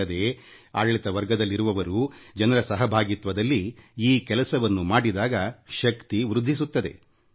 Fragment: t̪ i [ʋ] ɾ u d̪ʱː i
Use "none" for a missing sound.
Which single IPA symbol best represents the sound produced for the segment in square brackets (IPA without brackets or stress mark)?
ʋ